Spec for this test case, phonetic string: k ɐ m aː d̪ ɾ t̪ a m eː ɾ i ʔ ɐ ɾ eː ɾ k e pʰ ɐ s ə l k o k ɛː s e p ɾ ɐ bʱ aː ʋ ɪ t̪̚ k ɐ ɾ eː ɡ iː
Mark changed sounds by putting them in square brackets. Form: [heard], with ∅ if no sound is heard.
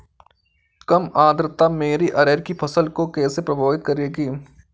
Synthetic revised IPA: k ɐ m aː d̪ ɾ t̪ a m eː ɾ i ʔ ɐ ɾ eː ɾ k [i] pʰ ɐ s ə l k o k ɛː s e p ɾ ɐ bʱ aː ʋ ɪ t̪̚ k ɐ ɾ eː ɡ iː